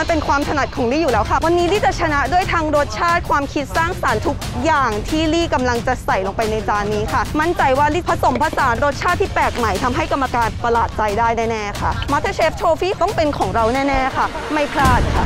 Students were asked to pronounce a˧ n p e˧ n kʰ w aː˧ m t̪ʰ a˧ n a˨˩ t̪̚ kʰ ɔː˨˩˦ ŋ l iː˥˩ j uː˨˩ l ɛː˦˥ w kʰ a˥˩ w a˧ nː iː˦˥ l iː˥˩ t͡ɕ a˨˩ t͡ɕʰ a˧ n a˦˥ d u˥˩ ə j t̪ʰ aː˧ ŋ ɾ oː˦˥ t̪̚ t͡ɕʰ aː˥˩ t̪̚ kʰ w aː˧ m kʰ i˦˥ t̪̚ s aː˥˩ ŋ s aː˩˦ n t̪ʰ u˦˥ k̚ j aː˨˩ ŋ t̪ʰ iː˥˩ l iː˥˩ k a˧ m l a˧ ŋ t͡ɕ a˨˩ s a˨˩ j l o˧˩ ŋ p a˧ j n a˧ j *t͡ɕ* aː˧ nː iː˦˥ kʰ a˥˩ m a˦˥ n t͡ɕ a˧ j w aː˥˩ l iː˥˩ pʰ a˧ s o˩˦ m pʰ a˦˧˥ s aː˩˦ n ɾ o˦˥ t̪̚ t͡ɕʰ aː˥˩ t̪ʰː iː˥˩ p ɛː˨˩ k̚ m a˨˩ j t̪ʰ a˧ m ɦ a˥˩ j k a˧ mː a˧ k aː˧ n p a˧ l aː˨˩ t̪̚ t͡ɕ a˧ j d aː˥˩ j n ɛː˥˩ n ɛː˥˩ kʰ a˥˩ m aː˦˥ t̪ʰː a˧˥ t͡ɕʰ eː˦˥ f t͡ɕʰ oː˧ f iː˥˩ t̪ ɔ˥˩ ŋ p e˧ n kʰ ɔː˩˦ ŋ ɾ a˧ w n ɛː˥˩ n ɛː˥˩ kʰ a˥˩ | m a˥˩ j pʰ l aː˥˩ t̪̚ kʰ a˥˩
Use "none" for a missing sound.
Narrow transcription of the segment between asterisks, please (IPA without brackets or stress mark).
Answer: t͡ɕ